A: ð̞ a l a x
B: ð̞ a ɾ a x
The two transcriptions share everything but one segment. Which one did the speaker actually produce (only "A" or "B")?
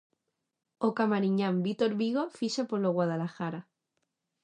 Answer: A